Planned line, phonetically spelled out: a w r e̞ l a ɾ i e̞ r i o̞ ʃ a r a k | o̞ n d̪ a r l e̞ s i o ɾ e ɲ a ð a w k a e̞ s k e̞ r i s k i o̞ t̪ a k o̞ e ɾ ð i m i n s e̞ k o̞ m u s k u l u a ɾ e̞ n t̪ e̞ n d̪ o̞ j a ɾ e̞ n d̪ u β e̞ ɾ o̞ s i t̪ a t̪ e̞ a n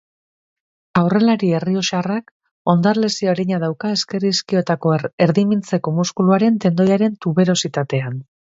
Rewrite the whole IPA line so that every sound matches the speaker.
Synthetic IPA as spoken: a w r e̞ l a ɾ i e̞ r i o̞ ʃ a r a k | o̞ n d̪ a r l e̞ s i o ɾ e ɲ a ð a w k a e̞ s k e̞ r i s k i o̞ t̪ a k o̞ e ɾ ð i m i n t͡s e̞ k o̞ m u s k u l u a ɾ e̞ n t̪ e̞ n d̪ o̞ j a ɾ e̞ n t̪ u β e̞ ɾ o̞ s i t̪ a t̪ e̞ a n